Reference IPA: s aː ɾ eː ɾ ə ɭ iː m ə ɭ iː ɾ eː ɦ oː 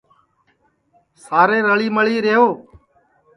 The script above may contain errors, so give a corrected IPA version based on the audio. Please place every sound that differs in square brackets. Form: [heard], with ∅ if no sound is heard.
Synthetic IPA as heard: s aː ɾ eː ɾ ə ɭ iː m ə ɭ iː ɾ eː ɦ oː